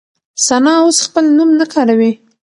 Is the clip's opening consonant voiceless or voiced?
voiceless